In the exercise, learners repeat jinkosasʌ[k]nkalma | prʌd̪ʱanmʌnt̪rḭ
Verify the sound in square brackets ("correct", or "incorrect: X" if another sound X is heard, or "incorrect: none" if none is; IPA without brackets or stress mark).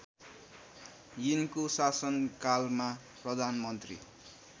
incorrect: none